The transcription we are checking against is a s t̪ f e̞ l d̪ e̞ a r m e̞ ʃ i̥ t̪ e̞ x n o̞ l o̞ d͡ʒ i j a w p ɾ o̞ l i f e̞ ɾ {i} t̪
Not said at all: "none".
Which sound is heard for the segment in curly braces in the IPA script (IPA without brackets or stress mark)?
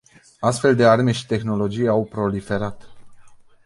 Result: a